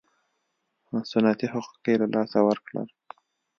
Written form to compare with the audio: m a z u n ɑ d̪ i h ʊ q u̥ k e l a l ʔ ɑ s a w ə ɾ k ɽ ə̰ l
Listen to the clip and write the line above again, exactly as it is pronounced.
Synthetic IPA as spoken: m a s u n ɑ t̪ i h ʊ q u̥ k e l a l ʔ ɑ s a w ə ɾ k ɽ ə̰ l